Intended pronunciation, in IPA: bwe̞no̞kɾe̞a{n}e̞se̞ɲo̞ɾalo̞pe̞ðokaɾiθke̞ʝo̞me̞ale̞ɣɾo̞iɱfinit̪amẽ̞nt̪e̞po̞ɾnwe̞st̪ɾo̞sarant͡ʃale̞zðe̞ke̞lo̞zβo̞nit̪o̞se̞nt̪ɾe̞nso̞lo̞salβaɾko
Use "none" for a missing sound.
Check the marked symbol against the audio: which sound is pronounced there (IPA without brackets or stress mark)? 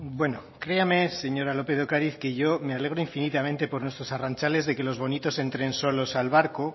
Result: m